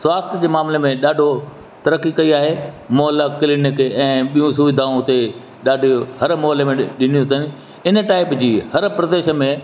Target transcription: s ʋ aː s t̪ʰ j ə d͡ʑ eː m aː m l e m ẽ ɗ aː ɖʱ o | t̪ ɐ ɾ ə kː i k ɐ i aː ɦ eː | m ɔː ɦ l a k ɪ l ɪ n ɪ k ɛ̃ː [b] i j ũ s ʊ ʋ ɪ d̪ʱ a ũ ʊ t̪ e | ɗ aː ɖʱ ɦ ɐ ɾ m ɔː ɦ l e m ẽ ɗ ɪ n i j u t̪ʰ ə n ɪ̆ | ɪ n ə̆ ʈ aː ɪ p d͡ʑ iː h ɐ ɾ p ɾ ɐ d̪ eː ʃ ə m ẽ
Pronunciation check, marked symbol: incorrect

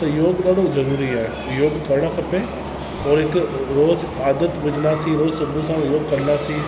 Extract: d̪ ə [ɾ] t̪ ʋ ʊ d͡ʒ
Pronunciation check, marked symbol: incorrect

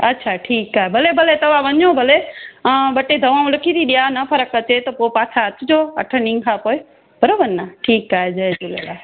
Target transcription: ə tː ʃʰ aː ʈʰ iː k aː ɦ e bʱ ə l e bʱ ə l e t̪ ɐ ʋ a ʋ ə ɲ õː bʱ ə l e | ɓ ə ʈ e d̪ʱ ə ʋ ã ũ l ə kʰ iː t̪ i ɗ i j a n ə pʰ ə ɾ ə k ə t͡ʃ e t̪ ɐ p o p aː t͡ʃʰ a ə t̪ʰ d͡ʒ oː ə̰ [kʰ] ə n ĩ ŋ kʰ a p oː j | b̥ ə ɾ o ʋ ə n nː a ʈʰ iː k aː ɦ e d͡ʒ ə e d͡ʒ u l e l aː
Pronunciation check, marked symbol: incorrect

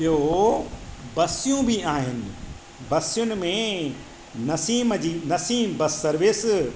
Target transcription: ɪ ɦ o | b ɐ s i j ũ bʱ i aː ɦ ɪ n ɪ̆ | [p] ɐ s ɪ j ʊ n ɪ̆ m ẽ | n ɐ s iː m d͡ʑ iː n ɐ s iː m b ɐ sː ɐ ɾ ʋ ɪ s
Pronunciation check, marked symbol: incorrect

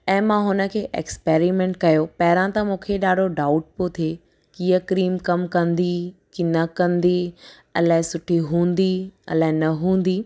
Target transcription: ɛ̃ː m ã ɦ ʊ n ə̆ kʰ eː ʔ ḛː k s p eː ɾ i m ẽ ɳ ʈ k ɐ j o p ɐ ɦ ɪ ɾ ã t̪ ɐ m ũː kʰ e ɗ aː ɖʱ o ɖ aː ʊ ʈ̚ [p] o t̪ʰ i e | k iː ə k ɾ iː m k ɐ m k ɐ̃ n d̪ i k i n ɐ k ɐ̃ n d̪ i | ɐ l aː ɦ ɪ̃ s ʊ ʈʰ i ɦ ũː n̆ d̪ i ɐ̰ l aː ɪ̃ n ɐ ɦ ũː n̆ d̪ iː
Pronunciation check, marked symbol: correct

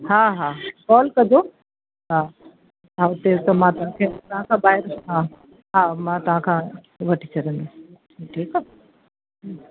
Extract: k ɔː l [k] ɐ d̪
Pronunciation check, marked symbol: correct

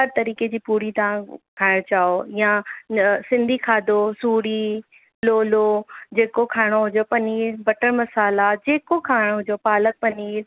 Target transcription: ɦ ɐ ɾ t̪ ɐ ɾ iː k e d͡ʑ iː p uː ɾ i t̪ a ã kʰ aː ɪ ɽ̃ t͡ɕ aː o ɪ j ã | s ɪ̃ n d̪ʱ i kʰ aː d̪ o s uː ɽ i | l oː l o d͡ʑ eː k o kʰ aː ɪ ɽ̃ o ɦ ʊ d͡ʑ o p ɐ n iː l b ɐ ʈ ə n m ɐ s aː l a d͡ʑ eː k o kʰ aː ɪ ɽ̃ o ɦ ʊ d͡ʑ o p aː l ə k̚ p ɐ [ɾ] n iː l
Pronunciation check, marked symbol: incorrect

